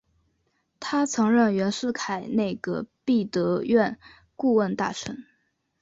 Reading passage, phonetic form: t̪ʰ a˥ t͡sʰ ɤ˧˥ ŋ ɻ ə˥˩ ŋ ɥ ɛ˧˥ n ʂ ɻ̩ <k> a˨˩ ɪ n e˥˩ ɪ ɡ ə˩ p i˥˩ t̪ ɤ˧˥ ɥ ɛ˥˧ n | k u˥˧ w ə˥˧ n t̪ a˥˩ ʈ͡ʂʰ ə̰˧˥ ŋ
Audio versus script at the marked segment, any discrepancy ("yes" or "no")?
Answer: yes